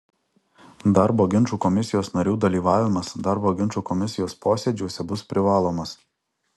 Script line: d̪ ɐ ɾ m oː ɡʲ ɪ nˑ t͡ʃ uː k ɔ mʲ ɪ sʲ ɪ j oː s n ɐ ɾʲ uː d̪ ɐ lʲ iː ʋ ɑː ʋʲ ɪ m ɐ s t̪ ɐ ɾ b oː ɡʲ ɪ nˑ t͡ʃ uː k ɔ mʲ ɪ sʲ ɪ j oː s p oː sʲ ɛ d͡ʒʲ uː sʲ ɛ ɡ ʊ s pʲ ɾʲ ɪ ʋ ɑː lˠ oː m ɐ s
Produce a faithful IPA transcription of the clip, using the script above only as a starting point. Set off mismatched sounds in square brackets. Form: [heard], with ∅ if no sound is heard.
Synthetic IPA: d̪ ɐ ɾ [b] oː ɡʲ ɪ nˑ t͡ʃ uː k ɔ mʲ ɪ sʲ ɪ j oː s n ɐ ɾʲ uː d̪ ɐ lʲ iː ʋ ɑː ʋʲ ɪ m ɐ s [d̪] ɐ ɾ b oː ɡʲ ɪ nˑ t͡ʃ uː k ɔ mʲ ɪ sʲ ɪ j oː s p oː sʲ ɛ d͡ʒʲ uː sʲ ɛ [b] ʊ s pʲ ɾʲ ɪ ʋ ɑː lˠ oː m ɐ s

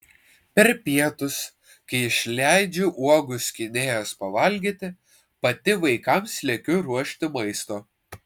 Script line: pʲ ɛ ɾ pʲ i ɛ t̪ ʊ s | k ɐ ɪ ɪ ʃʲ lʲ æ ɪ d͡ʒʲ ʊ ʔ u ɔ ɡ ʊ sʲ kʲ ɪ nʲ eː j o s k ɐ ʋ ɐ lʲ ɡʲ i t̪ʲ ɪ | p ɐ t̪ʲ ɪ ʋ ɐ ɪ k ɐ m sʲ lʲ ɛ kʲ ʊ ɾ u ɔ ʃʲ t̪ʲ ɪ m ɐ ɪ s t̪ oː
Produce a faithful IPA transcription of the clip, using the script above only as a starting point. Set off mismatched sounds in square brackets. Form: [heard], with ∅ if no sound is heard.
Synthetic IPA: pʲ ɛ ɾ pʲ i ɛ t̪ ʊ s | k ɐ ɪ ɪ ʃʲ lʲ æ ɪ d͡ʒʲ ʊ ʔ u ɔ ɡ ʊ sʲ kʲ ɪ nʲ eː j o s [p] ɐ ʋ ɐ lʲ ɡʲ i t̪ʲ ɪ | p ɐ t̪ʲ ɪ ʋ ɐ ɪ k ɐ m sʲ lʲ ɛ kʲ ʊ ɾ u ɔ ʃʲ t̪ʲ ɪ m ɐ ɪ s t̪ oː

